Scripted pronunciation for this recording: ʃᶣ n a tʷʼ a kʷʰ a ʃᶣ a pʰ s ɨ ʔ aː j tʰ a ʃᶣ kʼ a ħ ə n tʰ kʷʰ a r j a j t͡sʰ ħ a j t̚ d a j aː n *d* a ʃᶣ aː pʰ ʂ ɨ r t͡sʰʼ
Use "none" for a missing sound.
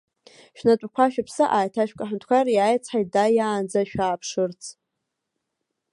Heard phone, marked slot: d͡z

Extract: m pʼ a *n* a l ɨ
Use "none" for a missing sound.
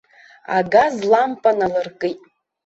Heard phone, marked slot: n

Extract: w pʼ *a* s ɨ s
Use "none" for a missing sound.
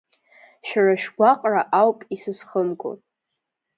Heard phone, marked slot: i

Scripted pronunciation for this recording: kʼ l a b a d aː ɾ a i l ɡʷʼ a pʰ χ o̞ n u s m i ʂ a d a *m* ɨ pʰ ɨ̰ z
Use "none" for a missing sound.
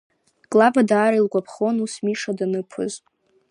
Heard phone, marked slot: n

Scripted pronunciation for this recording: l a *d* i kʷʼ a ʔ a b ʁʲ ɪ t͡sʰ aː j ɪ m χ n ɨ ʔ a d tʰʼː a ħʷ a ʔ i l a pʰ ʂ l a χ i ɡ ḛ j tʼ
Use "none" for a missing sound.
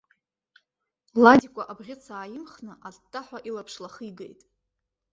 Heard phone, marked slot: d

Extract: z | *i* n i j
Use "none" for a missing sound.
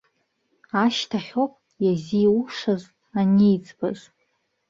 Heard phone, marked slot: a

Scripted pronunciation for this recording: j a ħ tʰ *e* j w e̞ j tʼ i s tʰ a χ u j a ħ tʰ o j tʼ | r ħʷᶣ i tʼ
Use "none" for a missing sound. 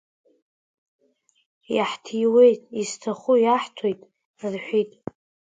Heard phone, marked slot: i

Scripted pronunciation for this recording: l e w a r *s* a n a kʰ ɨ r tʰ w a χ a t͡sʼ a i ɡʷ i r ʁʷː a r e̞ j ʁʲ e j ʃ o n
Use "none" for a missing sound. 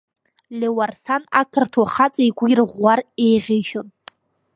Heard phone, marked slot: s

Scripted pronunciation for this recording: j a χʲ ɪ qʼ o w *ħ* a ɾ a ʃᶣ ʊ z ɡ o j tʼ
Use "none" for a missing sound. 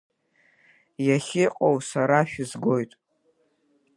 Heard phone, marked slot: s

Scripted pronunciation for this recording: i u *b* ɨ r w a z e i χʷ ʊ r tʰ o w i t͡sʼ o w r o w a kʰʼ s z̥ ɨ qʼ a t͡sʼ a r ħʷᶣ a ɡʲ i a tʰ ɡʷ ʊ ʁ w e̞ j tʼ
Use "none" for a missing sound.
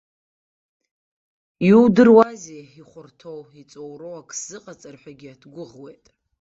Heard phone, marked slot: d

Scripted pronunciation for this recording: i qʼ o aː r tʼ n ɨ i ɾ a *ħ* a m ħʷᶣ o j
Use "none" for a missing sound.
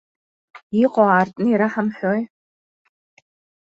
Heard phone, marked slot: ħ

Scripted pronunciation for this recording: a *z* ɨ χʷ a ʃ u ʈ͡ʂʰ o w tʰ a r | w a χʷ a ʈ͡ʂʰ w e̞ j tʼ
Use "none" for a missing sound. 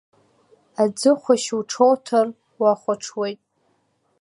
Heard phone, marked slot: d͡z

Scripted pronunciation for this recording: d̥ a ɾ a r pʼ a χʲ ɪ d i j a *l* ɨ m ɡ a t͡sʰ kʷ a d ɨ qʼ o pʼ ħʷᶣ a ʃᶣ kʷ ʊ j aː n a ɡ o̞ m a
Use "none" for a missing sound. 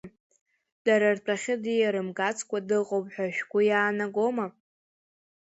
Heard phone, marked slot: ɾ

